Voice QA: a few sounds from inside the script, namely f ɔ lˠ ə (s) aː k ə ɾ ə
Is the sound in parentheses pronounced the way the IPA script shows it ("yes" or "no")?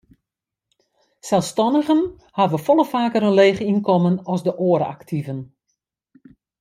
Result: no